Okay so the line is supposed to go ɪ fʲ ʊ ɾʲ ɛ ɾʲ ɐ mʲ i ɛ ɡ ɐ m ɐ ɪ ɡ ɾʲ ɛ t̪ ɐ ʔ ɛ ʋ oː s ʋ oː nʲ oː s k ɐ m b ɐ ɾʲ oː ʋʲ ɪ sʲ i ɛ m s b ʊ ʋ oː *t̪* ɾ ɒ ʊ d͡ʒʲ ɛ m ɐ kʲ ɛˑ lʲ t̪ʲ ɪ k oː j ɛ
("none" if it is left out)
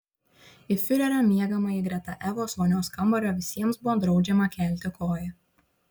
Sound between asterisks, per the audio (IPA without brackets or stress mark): d̪